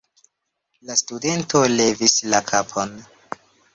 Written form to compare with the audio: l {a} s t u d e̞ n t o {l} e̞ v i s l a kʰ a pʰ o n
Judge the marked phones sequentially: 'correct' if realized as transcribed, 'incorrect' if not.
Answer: correct, correct

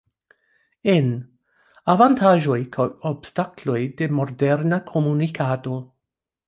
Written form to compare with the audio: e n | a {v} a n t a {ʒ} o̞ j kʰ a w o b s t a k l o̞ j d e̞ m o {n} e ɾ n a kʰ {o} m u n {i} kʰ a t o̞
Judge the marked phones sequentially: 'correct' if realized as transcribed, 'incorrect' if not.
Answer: correct, correct, incorrect: d, correct, correct

